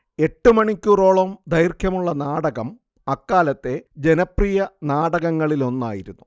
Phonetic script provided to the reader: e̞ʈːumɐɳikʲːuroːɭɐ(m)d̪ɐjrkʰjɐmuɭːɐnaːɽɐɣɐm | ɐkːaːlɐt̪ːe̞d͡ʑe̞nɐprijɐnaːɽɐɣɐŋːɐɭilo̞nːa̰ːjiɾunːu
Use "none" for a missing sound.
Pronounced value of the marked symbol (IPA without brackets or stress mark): m